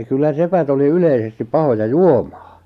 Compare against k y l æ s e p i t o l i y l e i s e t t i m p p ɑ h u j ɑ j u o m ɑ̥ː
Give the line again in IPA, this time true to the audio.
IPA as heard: k y lː æ s e p æ t o l i y l e i s e s t i p p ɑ h o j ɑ j u o m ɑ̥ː